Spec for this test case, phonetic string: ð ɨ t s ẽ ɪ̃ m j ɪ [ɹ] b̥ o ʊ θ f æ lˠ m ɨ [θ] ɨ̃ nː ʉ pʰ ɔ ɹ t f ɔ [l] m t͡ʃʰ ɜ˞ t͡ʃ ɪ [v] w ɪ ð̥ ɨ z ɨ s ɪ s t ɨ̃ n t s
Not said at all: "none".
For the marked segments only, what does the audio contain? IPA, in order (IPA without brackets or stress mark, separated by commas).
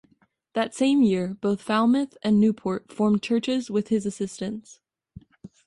ɹ, θ, ɹ, z